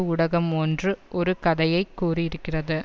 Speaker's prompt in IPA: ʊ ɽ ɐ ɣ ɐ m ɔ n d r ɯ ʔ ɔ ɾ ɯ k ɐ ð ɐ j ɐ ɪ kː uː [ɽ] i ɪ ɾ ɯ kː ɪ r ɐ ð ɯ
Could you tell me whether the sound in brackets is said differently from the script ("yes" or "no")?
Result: yes